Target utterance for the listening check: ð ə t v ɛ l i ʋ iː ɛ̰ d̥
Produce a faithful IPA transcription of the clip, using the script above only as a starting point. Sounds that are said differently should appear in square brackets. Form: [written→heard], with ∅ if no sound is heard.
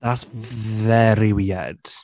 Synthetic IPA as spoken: ð [ə→a] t v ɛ [l→ɾ] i [ʋ→w] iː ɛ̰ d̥